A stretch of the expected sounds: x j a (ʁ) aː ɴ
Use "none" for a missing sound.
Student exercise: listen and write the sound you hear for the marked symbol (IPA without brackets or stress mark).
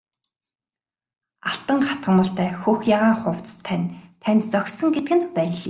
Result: ʁ